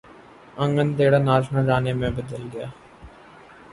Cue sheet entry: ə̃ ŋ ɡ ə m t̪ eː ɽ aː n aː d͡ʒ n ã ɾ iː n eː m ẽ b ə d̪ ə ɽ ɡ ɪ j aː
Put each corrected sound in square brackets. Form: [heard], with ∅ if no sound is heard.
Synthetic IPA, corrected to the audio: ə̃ ŋ ɡ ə [n] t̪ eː ɽ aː n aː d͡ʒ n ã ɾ [aː] n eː m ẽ b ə d̪ ə [l] ɡ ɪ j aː